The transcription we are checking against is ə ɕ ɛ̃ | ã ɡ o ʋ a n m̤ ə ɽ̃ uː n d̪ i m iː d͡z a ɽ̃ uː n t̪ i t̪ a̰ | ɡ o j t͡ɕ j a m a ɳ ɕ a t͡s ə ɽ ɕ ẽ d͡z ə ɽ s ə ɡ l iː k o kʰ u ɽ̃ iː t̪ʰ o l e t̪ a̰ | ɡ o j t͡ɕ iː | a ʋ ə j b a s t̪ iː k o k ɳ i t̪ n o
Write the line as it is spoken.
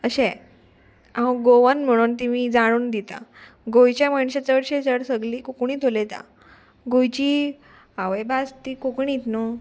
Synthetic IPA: ə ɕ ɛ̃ | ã ɡ o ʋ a n m̤ ə ɽ̃ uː n t̪ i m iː d͡z a ɽ̃ uː n d̪ i t̪ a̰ | ɡ o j t͡ɕ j a m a ɳ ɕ a t͡s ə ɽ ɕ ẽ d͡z ə ɽ s ə ɡ l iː k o k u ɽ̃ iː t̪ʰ o l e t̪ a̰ | ɡ o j t͡ɕ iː | a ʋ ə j b a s t̪ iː k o k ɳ i t̪ n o